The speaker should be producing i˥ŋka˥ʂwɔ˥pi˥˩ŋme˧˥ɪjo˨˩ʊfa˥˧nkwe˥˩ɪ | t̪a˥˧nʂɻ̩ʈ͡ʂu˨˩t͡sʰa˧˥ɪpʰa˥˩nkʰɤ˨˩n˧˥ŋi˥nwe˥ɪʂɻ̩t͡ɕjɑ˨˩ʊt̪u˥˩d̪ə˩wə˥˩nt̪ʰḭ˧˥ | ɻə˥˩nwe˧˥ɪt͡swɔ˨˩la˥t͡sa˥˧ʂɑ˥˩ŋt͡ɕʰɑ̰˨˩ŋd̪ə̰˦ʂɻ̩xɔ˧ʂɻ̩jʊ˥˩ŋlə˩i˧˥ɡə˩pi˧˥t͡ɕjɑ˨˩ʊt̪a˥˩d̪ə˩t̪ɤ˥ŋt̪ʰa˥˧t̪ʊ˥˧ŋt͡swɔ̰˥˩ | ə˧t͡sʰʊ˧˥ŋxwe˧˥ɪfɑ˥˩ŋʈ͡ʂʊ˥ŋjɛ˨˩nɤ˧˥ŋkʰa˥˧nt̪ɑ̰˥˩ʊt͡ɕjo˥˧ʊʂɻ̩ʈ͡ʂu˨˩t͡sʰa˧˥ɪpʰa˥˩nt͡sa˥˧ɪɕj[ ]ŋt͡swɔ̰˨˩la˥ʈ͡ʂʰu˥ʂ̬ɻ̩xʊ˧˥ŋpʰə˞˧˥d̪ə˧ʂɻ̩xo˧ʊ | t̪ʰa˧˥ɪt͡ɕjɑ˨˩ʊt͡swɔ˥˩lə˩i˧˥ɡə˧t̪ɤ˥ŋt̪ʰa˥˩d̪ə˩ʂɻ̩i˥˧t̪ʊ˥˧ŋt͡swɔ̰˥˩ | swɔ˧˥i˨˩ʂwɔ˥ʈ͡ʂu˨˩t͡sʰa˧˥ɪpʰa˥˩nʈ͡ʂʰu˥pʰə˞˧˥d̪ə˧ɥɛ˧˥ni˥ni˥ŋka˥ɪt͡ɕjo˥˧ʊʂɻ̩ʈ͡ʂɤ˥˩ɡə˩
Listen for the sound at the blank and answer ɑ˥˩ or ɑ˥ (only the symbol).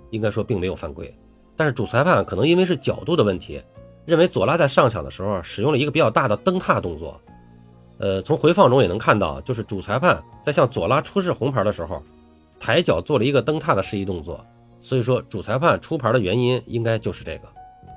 ɑ˥˩